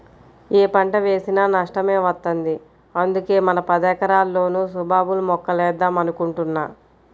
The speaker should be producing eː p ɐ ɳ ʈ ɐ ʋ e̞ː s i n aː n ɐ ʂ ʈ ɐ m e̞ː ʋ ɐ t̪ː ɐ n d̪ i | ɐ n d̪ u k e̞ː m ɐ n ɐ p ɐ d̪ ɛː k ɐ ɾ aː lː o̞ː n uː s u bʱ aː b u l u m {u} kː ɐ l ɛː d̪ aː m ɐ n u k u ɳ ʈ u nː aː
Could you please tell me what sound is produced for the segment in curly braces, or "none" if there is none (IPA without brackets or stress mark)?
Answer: ɔ